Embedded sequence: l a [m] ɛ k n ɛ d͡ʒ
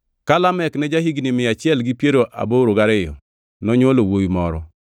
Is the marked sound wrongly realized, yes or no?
no